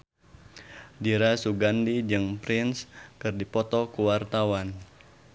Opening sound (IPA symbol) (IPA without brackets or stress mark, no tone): d